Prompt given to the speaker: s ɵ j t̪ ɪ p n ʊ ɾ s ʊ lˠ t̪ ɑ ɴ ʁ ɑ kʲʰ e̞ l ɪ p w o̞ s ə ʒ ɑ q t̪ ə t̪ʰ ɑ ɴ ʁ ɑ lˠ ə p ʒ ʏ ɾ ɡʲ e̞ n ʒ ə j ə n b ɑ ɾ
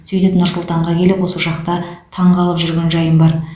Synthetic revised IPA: s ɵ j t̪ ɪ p n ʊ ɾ s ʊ lˠ t̪ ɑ ɴ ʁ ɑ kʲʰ e̞ l ɪ p w o̞ s ə ʒ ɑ q t̪ ɑ t̪ʰ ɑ ɴ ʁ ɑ lˠ ə p ʒ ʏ ɾ ɡʲ e̞ n ʒ ɑ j ə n b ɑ ɾ